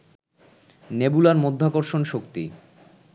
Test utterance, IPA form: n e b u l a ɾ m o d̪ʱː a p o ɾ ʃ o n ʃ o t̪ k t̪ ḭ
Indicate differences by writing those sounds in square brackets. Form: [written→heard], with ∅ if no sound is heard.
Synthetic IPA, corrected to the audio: n e b u l a ɾ m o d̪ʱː a [p→k] o ɾ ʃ o n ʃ o [t̪→∅] k t̪ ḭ